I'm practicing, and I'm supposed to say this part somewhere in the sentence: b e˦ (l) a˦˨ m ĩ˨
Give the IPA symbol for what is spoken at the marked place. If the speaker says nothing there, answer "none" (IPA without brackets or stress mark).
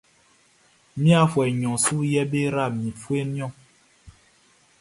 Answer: ɾ